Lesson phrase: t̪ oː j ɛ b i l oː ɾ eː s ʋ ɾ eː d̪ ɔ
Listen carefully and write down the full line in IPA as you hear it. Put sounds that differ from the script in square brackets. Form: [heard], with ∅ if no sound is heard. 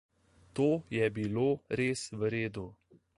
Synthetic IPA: t̪ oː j ɛ b i l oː ɾ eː s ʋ ɾ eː d̪ [u]